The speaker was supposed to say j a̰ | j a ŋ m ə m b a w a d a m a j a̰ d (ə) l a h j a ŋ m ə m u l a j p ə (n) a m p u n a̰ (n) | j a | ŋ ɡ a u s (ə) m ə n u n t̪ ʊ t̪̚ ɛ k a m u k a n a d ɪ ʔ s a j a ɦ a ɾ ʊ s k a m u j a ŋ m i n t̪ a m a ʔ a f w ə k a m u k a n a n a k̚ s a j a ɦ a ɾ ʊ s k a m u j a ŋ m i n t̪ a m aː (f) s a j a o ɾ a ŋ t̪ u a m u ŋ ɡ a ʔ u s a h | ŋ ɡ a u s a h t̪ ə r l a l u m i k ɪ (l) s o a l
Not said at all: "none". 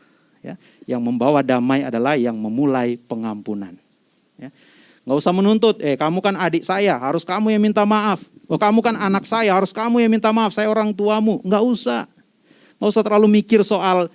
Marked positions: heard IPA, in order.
a, ŋ, n, a, f, r

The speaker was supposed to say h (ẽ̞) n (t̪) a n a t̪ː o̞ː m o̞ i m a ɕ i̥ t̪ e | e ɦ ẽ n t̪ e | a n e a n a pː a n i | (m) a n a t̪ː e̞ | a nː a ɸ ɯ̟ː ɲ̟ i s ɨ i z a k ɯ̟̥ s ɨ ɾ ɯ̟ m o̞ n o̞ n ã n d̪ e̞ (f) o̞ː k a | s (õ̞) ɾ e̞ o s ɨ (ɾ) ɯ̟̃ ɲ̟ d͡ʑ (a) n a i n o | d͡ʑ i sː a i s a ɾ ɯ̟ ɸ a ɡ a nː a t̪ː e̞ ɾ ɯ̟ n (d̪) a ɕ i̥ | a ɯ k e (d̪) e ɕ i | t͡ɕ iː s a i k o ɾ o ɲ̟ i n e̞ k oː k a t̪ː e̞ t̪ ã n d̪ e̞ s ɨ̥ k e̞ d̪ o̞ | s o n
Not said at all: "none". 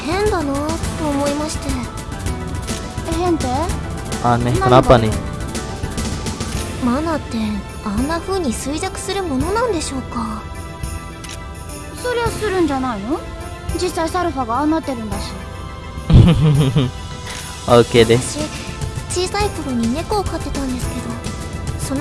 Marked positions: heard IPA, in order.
ẽ̞, d̪, m, ɕ, o̞, ɾ, a, d̪, d̪

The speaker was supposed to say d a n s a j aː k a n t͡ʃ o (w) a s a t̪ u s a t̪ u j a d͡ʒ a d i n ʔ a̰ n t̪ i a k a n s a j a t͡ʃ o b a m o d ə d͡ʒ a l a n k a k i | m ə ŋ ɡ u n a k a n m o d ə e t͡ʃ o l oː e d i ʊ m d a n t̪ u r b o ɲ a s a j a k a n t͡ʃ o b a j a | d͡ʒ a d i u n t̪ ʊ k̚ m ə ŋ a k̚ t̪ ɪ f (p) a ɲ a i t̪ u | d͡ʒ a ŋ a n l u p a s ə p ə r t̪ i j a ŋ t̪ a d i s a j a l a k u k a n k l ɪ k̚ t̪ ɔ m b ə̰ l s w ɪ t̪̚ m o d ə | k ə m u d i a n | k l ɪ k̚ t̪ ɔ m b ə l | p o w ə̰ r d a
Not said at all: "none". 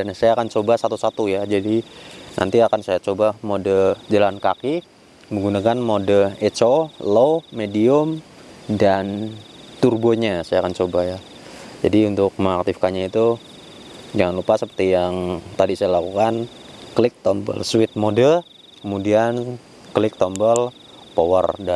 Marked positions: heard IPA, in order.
b, k

